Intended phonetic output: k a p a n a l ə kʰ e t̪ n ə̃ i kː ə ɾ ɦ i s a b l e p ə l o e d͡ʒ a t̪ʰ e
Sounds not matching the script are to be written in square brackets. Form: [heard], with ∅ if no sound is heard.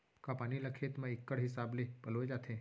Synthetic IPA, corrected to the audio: k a p a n [i] l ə kʰ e t̪ [m] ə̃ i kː ə [ɽ] ɦ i s a b l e p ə l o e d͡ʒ a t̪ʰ e